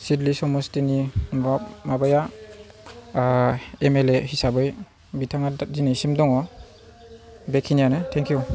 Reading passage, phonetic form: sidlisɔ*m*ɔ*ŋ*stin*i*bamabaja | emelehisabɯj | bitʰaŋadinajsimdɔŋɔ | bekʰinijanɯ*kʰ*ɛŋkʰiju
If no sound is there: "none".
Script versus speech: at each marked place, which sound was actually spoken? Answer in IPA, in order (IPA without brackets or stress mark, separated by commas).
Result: m, none, i, tʰ